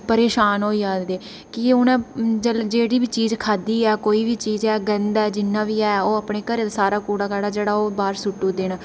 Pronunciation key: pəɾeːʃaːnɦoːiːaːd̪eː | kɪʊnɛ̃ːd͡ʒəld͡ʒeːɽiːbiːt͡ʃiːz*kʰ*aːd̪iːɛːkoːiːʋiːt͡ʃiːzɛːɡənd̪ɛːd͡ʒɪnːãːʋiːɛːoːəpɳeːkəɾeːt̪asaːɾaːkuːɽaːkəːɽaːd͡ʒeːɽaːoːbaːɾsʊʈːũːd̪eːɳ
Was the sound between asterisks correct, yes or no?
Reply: yes